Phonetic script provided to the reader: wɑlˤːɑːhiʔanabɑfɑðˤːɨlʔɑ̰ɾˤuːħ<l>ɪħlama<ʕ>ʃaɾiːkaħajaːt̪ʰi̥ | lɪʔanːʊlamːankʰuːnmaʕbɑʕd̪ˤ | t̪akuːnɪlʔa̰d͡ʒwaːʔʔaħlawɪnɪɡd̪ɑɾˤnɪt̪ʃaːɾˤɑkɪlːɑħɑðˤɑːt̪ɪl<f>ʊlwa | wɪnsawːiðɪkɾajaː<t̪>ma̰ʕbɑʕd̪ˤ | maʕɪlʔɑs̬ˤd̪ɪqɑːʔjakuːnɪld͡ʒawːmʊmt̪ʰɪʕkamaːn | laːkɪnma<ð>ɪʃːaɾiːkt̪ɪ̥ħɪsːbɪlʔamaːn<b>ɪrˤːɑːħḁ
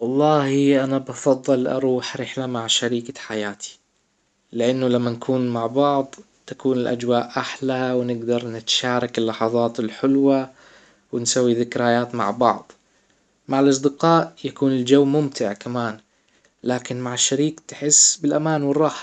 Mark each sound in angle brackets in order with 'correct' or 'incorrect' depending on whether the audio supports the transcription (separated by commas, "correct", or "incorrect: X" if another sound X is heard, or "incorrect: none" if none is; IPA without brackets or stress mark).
incorrect: ɾ, correct, incorrect: ħ, correct, incorrect: ʕ, incorrect: w